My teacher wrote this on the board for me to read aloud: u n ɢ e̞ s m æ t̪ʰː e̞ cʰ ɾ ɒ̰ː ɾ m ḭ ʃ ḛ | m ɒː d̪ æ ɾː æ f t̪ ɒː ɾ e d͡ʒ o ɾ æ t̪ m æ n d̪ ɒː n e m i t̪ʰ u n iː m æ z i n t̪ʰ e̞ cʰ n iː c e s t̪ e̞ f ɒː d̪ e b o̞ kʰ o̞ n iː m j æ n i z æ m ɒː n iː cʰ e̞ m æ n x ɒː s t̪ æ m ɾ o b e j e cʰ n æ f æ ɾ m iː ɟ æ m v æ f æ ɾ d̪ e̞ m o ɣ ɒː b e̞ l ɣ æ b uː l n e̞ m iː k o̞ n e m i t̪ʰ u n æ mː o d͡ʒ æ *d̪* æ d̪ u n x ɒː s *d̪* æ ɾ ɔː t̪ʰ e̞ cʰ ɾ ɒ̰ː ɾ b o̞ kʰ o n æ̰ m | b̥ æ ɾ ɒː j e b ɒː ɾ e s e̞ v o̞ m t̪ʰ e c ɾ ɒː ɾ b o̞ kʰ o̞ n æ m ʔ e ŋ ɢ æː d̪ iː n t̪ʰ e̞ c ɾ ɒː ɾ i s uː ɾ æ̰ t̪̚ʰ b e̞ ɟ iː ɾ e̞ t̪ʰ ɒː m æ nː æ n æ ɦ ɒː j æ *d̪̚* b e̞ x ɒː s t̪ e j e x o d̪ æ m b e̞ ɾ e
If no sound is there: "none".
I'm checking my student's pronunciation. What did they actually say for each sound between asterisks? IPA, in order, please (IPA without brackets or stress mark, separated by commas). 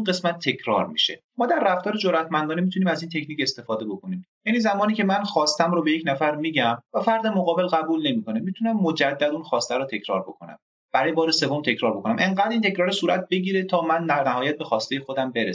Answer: d̪ː, t̪, t̪̚